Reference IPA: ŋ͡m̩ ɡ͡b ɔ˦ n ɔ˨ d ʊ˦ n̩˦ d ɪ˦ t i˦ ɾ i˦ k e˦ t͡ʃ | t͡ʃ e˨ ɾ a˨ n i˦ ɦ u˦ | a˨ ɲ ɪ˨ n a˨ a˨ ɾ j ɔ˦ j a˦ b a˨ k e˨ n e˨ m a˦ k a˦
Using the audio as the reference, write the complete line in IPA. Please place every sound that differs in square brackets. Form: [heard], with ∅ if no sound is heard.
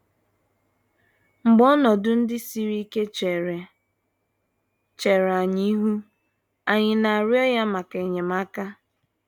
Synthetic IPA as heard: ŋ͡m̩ ɡ͡b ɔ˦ n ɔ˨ d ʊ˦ n̩˦ d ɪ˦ [s] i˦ ɾ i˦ k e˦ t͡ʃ | t͡ʃ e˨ ɾ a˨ [ɲ] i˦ ɦ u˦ | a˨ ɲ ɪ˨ n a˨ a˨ ɾ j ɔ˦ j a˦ [m] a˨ k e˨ [ɲ] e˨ m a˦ k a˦